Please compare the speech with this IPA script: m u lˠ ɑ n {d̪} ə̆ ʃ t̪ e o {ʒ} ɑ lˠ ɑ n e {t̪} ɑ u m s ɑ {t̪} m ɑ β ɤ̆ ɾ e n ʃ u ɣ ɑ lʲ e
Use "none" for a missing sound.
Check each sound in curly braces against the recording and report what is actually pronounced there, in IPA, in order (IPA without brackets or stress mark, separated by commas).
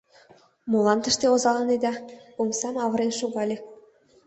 t̪, z, d̪, none